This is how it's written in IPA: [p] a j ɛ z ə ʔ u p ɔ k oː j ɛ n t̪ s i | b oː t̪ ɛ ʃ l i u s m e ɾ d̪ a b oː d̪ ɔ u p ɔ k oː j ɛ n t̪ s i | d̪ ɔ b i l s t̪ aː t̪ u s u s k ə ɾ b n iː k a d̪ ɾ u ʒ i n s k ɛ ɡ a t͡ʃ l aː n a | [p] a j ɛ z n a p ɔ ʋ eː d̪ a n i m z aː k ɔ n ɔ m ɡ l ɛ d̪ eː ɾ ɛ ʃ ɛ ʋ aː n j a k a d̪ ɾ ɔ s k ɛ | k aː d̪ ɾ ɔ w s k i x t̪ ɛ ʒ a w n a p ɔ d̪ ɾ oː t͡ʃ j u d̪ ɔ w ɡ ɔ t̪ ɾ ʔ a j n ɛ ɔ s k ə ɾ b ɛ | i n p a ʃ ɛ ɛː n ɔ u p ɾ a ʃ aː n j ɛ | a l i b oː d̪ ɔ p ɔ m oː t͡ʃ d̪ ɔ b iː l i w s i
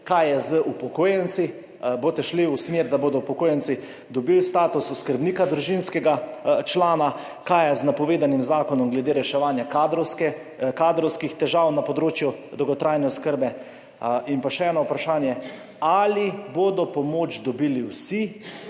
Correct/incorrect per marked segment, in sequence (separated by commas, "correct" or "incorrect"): incorrect, incorrect